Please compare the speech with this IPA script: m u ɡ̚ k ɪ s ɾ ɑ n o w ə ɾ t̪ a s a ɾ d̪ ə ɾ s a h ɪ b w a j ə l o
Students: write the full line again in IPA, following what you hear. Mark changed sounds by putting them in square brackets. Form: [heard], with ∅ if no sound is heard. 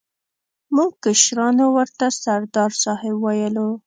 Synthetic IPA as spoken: m u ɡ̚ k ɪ [ʃ] ɾ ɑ n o w ə ɾ t̪ a s a ɾ d̪ [ɑ] ɾ s [ɑ] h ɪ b w a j ə l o